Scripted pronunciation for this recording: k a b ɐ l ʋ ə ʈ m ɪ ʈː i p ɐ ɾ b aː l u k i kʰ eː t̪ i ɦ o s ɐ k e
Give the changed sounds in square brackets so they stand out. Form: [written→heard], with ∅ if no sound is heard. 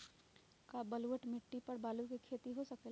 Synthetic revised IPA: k a b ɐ l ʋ ə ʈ m ɪ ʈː i p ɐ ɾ b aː l u k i kʰ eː t̪ i ɦ o s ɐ k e

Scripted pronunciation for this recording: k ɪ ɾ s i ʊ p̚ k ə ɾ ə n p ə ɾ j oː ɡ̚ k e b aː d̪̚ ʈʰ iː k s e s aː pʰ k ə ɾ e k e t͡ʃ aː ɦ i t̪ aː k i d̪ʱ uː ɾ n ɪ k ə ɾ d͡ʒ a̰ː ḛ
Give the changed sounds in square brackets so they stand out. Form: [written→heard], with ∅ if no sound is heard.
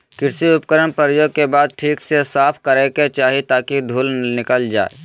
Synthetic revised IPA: k ɪ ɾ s i ʊ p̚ k ə ɾ ə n p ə ɾ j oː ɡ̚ k e b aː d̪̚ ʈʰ iː k s e s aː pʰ k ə ɾ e k e t͡ʃ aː ɦ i t̪ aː k i d̪ʱ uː [ɾ→l] n ɪ k ə [ɾ→l] d͡ʒ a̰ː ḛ

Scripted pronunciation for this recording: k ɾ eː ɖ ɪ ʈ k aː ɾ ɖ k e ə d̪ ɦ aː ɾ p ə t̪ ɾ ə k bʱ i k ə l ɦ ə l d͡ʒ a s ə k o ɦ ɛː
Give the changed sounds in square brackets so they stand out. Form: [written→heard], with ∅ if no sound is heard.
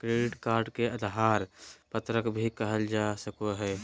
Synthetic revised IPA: k ɾ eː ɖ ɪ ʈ k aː ɾ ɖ k e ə d̪ ɦ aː ɾ p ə t̪ ɾ ə k bʱ i k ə [l→∅] ɦ ə l d͡ʒ a s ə k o ɦ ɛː

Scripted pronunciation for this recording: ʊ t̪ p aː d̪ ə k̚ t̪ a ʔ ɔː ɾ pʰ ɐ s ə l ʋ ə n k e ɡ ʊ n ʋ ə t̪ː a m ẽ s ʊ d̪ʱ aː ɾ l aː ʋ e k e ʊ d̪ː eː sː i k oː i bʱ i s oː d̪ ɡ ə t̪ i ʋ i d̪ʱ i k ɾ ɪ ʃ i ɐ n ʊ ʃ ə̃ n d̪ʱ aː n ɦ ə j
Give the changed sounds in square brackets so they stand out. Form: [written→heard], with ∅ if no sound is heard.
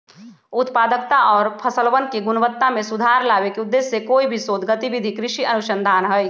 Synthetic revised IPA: ʊ t̪ p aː d̪ ə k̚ t̪ a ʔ ɔː ɾ pʰ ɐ s ə l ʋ ə n k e ɡ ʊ n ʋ ə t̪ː a m ẽ s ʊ d̪ʱ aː ɾ l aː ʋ e k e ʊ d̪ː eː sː [i→e] k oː i bʱ i s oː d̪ ɡ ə t̪ i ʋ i d̪ʱ i k ɾ ɪ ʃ i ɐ n ʊ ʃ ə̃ n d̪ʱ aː n ɦ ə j

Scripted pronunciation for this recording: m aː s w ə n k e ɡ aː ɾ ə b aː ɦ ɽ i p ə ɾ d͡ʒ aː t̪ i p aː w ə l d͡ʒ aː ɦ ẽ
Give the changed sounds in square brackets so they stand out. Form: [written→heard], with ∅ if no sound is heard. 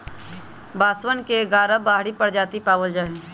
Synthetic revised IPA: [m→b] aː s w ə n k e ɡ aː ɾ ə b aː ɦ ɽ i p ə ɾ d͡ʒ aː t̪ i p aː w ə l d͡ʒ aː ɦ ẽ

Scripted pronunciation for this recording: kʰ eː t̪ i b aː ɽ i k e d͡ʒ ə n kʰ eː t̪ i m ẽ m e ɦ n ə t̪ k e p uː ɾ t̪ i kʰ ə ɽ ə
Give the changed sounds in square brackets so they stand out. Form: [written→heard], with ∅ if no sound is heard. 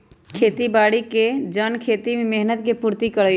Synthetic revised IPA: kʰ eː t̪ i b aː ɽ i k e d͡ʒ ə n kʰ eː t̪ i m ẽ m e ɦ n ə t̪ k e p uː ɾ t̪ i [kʰ→k] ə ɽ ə

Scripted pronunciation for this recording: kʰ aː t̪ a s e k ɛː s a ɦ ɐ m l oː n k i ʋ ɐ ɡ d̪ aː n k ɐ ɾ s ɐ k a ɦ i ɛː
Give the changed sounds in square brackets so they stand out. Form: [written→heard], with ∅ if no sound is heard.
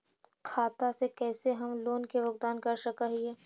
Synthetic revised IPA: kʰ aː t̪ a s e k ɛː s [a→e] ɦ ɐ m l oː n k [i→e] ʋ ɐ ɡ d̪ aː n k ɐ ɾ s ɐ k a ɦ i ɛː

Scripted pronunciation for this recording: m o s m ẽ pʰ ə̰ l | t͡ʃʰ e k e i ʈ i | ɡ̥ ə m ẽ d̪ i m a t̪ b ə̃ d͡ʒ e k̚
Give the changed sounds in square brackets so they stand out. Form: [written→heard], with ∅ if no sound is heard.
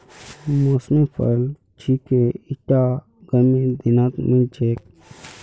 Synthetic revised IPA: m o s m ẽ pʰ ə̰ l | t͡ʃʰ [e→i] k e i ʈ [i→a] | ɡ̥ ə m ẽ d̪ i [m→n] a t̪ [b→m] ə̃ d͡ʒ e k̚

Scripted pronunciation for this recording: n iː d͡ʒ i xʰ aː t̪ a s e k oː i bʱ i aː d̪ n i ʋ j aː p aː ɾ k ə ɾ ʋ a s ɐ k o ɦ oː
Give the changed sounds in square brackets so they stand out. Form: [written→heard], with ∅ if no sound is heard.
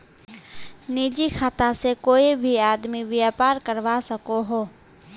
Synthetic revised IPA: n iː d͡ʒ i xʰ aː t̪ a s e k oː i bʱ i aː d̪ [n→m] i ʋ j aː p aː ɾ k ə ɾ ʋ a s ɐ k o ɦ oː

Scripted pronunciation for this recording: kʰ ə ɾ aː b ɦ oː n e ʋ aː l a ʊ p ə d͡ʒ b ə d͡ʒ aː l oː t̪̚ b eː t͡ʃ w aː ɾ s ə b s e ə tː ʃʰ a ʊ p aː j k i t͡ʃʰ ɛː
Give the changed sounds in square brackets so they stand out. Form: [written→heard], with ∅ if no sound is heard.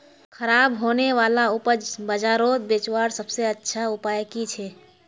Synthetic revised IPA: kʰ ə ɾ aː b ɦ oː n e ʋ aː l a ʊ p ə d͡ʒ b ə d͡ʒ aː [l→ɾ] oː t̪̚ b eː t͡ʃ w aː ɾ s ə b s e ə tː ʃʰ a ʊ p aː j k i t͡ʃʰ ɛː

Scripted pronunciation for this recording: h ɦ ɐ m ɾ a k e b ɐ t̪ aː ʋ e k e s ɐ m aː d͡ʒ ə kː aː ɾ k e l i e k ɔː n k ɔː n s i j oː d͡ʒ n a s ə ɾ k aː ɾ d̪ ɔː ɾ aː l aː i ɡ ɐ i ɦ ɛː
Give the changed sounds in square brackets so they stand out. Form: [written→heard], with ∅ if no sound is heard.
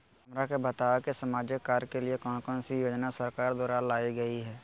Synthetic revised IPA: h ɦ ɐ m ɾ a k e b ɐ t̪ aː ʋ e k e s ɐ m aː d͡ʒ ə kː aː ɾ k e l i e k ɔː n k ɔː n s i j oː d͡ʒ n a s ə ɾ k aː ɾ d̪ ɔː ɾ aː l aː i ɡ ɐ i ɦ ɛː

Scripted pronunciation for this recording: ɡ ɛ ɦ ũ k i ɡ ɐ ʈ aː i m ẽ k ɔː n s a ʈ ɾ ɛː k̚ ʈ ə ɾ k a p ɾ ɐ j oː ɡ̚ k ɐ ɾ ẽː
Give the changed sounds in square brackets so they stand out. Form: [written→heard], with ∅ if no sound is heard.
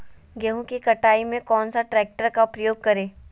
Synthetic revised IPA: ɡ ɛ ɦ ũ k i [ɡ→k] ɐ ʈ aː i m ẽ k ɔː n s a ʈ ɾ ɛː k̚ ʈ ə ɾ k a p ɾ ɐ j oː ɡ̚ k ɐ ɾ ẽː

